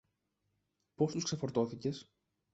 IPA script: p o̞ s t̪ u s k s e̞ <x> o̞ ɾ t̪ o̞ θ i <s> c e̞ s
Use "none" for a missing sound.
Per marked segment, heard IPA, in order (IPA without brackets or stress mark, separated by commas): f, none